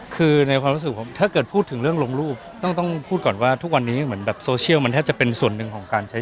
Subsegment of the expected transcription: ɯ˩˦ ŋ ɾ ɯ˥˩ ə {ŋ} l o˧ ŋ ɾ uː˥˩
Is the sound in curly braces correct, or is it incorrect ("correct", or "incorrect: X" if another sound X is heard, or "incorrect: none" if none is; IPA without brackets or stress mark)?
correct